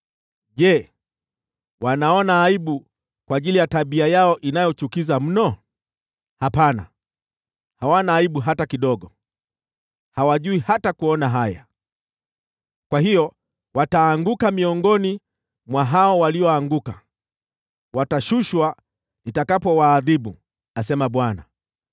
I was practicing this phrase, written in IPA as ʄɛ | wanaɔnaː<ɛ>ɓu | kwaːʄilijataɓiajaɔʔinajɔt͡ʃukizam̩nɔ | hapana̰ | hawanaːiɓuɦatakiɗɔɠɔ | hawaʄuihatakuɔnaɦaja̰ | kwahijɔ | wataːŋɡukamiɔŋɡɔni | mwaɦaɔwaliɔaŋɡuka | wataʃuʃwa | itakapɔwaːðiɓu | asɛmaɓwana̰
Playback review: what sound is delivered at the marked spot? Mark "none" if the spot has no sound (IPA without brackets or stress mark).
i